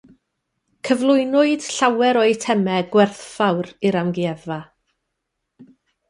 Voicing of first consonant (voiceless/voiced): voiceless